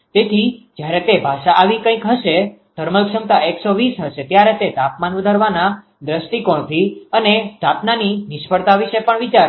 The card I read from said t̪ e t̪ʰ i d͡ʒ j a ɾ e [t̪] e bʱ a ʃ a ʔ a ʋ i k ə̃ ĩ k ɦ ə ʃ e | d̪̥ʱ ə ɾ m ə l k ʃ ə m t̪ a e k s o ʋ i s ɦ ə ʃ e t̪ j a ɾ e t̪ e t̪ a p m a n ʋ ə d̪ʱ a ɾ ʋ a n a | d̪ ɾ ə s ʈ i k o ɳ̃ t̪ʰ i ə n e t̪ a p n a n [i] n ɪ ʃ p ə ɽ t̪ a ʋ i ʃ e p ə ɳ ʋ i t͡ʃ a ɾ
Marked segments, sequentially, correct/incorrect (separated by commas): correct, correct